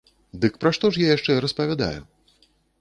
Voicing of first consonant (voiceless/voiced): voiced